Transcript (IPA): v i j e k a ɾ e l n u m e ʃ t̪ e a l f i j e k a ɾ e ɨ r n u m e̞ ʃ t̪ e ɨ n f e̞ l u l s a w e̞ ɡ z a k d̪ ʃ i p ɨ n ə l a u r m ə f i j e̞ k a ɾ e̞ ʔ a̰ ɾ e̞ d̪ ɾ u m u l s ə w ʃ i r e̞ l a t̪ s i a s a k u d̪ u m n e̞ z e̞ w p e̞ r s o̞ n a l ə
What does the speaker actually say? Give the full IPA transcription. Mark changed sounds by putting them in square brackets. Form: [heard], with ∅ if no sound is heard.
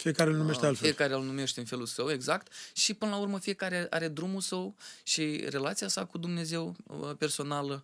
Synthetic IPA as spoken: [f] i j e k a ɾ e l n u m e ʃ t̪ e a l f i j e k a ɾ e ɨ [l] n u m e̞ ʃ t̪ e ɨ n f e̞ l u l s [ə] w e̞ ɡ z a k [t̪] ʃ i p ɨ n ə l a u r m ə f i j e̞ k a ɾ e̞ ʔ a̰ ɾ e̞ d̪ ɾ u m u l s ə w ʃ i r e̞ l a t̪ s i a s a k u d̪ u m n e̞ z e̞ w p e̞ r s o̞ n a l ə